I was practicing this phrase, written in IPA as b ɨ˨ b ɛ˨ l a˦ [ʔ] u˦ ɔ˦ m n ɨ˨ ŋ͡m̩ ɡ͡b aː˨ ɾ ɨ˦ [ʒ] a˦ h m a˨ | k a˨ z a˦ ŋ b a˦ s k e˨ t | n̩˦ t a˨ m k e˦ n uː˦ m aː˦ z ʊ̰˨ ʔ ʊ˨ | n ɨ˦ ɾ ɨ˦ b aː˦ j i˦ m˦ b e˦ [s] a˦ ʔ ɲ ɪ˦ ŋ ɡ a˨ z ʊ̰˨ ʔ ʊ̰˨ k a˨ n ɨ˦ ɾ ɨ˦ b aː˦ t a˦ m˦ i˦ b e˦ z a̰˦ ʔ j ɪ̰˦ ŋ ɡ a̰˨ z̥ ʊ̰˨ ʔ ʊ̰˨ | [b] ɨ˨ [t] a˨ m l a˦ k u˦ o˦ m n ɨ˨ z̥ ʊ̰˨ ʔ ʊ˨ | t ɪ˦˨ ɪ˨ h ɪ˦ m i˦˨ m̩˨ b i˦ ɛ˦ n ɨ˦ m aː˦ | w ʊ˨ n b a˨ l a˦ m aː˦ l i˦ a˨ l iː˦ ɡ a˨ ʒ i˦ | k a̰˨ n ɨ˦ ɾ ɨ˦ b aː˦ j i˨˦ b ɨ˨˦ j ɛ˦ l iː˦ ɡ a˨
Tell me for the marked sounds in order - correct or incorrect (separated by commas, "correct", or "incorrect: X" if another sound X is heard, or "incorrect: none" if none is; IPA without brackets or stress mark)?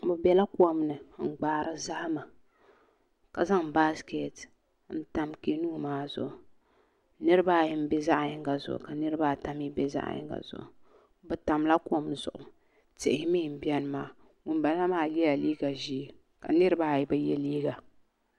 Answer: incorrect: k, incorrect: z, incorrect: z, correct, correct